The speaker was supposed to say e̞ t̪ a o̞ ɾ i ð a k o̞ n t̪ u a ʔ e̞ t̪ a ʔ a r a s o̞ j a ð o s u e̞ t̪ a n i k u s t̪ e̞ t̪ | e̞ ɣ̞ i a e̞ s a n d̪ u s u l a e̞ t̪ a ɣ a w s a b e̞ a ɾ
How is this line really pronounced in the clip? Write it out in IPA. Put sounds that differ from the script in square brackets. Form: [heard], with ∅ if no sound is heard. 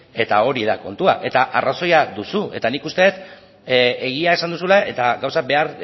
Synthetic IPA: e̞ t̪ a o̞ ɾ i ð a k o̞ n t̪ u a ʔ e̞ t̪ a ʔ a r a s o̞ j a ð [u] s u e̞ t̪ a n i k u s t̪ e̞ t̪ | e̞ ɣ̞ i a e̞ s a n d̪ u s u l a e̞ t̪ a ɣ a w s a b e̞ a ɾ